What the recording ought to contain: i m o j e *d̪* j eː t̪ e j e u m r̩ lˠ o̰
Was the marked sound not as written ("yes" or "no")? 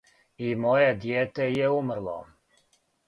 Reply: no